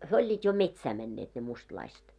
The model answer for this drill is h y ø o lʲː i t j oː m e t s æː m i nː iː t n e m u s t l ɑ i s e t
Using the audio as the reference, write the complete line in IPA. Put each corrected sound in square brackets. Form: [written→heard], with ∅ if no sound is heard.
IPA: h y ø o lʲː [i→iː] t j [oː→o] m e t s æː m [i→ɛ] nː [iː→eː] t n e m u s t l ɑ i s e t